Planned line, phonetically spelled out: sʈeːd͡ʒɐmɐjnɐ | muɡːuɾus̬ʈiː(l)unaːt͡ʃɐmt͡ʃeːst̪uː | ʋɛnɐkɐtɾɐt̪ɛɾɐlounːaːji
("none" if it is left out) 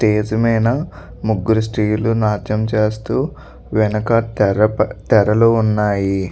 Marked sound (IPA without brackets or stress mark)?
l